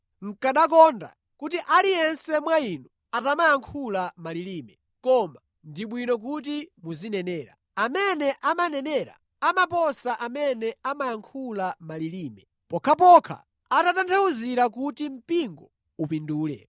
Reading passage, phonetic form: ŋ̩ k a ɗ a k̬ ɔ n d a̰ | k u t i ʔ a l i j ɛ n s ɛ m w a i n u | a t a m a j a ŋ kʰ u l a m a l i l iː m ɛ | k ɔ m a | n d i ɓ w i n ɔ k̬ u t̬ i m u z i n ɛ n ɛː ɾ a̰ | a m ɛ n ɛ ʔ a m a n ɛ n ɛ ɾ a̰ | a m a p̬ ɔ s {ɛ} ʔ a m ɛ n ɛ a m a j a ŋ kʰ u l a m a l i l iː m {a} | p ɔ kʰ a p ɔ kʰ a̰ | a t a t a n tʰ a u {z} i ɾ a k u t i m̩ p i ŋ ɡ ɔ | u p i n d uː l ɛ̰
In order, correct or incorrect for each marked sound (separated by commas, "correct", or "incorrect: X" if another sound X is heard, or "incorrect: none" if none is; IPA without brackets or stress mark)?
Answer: incorrect: a, incorrect: ɛ, correct